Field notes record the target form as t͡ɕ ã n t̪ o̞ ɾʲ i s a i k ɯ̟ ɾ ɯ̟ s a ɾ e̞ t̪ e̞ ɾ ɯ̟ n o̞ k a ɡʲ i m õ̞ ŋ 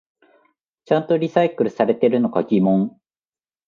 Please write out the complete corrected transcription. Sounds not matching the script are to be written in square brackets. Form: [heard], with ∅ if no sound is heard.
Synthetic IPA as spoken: t͡ɕ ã n t̪ o̞ ɾʲ i s a i k ɯ̟ ɾ ɯ̟ s a ɾ e̞ t̪ e̞ ɾ ɯ̟ n o̞ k a ɡʲ i m õ̞ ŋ